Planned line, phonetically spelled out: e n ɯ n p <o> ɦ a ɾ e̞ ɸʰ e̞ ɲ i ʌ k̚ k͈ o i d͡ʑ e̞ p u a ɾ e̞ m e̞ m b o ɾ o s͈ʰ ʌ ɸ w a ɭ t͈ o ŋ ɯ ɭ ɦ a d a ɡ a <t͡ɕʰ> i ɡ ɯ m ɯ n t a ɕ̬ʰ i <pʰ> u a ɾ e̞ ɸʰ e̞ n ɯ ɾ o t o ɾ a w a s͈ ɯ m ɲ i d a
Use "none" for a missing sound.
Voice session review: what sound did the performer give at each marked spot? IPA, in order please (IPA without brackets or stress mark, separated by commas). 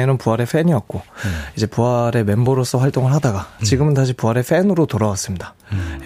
u, t͡ɕ, p